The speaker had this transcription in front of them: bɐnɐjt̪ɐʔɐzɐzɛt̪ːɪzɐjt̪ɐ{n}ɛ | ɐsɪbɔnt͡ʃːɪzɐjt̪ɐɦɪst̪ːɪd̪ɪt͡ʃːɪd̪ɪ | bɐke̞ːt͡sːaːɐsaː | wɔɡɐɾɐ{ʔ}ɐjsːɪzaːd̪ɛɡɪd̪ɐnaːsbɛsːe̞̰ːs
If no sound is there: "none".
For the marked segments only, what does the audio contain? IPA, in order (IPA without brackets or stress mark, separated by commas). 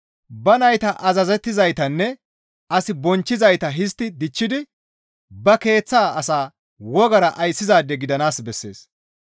nː, ʔ